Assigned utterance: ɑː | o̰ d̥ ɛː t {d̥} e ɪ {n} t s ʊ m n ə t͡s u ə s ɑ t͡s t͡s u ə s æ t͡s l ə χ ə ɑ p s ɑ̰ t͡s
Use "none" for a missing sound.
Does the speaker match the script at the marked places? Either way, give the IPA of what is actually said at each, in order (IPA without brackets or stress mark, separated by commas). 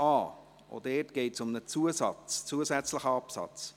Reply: ɡ̥, none